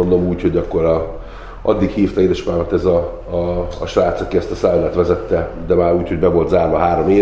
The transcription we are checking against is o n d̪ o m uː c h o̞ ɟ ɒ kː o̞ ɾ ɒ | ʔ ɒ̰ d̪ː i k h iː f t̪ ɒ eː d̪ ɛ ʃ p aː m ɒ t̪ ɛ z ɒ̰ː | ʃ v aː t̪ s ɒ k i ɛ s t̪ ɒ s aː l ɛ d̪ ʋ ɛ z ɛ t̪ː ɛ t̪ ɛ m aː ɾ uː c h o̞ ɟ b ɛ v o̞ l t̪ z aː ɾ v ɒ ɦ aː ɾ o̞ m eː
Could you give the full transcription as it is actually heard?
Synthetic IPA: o n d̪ o m uː c h o̞ ɟ ɒ kː o̞ ɾ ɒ | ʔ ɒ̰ d̪ː i k h iː f t̪ ɒ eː d̪ ɛ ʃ p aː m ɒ t̪ ɛ z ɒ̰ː | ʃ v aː t̪ s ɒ k i ɛ s t̪ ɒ s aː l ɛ t̪ ʋ ɛ z ɛ t̪ː ɛ d̪ ɛ m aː ɾ uː c h o̞ ɟ b ɛ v o̞ l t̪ z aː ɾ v ɒ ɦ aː ɾ o̞ m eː